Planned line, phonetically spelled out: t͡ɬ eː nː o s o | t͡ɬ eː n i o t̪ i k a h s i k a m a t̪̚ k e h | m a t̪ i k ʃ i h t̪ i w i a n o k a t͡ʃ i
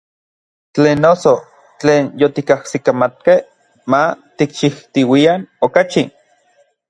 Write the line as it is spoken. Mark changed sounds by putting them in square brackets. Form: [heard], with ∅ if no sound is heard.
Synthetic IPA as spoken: t͡ɬ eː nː o s o | t͡ɬ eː n [j] o t̪ i k a h s i k a m a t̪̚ k e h | m a t̪ i k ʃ i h t̪ i w i a n o k a t͡ʃ i